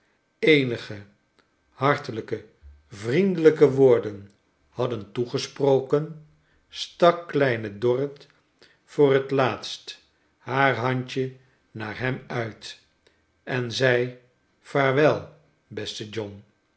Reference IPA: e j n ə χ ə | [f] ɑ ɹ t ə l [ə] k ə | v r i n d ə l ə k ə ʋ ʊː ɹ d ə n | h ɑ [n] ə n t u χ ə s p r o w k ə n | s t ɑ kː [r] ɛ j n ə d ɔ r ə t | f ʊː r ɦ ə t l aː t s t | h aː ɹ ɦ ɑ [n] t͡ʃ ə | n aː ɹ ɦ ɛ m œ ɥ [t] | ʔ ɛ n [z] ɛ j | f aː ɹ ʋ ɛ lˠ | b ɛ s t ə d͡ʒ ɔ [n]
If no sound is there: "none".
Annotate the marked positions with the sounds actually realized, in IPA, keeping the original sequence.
h, ə, d, l, ɲ, t, z, n

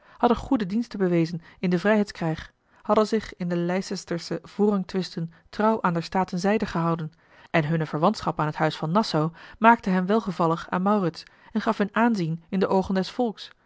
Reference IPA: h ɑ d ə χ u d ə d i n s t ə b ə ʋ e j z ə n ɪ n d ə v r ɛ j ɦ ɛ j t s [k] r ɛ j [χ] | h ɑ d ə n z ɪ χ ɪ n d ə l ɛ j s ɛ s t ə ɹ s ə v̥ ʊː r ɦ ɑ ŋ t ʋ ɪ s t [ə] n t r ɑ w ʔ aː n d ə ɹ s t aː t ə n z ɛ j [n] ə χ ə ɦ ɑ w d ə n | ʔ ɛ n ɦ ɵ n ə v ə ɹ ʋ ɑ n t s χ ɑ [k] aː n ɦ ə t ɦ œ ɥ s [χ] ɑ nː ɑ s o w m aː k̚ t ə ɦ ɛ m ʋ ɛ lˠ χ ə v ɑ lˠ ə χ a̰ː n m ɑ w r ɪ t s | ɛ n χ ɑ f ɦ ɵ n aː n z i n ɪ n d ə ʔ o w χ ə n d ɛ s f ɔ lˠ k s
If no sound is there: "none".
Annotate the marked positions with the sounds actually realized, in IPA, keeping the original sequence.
k, χ, ə, d, p, f

